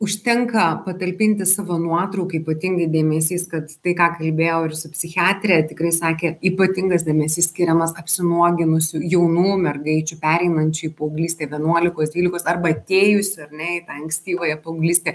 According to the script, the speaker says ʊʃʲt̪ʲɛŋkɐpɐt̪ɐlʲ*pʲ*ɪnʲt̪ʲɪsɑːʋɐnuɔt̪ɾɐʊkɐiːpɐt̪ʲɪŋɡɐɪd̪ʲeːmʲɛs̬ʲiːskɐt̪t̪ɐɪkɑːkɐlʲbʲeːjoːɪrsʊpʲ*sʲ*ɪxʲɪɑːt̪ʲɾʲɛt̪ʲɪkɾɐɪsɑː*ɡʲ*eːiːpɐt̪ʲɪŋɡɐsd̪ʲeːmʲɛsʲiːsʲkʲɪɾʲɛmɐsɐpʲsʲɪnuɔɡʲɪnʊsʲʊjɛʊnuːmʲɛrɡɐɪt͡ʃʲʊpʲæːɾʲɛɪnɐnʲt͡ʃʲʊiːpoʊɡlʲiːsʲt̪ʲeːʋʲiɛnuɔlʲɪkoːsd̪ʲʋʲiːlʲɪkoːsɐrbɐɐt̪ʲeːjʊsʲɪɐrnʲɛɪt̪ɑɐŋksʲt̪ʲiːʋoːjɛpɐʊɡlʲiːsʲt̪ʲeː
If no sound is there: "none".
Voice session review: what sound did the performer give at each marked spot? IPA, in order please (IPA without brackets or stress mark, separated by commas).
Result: pʲ, sʲ, kʲ